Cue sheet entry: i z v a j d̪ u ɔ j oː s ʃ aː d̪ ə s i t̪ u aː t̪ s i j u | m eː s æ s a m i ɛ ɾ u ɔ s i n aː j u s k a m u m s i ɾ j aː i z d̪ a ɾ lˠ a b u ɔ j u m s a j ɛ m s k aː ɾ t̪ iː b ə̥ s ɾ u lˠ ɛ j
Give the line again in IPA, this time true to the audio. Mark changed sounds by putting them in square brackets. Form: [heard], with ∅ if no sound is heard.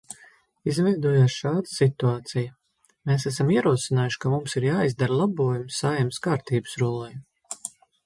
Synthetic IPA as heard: i z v [ɛ] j d̪ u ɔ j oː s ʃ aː d̪ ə s i t̪ u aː t̪ s i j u | m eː s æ s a m i ɛ ɾ u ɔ s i n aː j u [ʃ] k a m u m s i ɾ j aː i z d̪ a ɾ lˠ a b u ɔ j u m s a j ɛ m s k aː ɾ t̪ iː b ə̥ s ɾ u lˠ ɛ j